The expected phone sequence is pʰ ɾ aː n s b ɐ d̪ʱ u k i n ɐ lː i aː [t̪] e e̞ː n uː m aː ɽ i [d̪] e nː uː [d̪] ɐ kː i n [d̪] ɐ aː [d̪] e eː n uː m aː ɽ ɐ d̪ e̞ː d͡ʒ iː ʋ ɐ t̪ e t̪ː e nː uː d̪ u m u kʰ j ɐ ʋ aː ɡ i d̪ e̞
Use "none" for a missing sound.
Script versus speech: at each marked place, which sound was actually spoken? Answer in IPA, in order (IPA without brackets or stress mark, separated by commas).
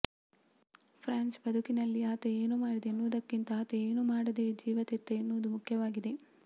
t̪, d̪, d̪, t̪, t̪